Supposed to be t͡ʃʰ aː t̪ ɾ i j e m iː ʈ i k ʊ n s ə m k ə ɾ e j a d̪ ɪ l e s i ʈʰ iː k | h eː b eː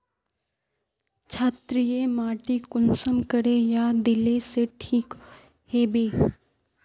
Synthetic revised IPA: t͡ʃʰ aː t̪ ɾ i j e m aː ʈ i k ʊ n s ə m k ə ɾ e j a d̪ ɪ l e s e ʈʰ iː k | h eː b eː